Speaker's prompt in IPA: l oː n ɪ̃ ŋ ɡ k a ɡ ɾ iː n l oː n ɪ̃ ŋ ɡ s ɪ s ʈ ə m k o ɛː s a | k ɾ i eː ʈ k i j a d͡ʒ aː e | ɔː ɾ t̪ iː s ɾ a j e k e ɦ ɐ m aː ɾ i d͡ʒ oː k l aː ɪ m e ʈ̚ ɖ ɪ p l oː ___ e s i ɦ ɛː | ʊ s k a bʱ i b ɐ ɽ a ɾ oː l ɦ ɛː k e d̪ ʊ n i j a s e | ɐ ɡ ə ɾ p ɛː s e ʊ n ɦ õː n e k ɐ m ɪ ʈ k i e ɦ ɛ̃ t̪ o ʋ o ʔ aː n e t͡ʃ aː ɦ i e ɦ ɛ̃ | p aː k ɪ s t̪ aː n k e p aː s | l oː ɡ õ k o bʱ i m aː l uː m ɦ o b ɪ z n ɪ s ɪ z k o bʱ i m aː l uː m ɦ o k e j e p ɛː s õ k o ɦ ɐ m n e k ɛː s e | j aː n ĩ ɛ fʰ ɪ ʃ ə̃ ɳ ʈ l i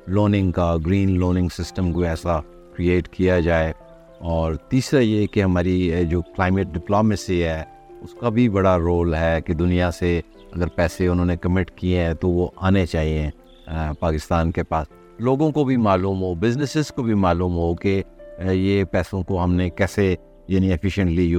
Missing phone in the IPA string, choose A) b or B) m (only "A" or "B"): B